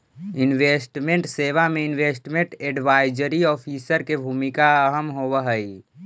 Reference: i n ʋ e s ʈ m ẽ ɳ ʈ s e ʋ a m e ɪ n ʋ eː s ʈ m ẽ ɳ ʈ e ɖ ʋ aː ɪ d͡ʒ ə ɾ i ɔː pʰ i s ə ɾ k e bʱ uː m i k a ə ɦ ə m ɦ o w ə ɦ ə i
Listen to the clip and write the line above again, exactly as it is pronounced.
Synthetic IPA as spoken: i n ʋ e s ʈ m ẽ ɳ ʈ s e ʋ a m e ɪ n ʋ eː s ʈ m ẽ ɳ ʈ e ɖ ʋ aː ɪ d͡ʒ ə ɾ i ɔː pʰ i s ə ɾ k e bʱ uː m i k a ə ɦ ə m ɦ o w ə ɦ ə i